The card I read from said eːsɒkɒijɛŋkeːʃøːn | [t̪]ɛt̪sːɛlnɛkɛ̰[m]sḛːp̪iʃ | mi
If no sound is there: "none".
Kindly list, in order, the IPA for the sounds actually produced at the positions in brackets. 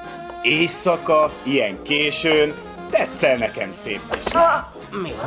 t̪, m

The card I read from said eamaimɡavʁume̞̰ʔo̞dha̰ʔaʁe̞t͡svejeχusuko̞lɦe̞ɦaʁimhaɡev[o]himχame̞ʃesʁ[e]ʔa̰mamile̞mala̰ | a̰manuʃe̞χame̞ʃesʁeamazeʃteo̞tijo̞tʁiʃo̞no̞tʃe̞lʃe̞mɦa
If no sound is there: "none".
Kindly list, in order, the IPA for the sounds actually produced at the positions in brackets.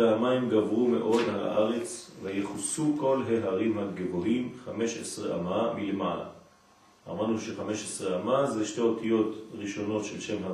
o, e

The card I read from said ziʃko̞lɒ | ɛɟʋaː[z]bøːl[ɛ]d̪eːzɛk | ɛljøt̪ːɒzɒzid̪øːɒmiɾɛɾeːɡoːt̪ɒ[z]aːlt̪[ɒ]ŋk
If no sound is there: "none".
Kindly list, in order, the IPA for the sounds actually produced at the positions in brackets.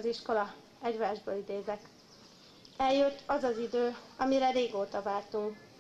ʒ, i, v, u

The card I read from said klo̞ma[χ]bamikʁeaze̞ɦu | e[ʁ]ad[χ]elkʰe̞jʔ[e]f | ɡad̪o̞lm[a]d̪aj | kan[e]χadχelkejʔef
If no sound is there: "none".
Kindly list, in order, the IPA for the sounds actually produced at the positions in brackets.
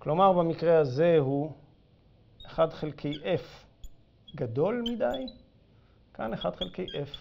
ʁ, χ, χ, e, i, e

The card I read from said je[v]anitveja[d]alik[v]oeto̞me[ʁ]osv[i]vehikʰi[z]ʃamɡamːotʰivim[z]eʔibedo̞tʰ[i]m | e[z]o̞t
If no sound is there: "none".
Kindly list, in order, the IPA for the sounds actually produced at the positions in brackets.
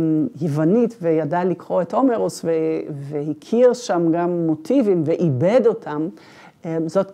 v, d, ʁ, ʁ, e, ʁ, v, a, z

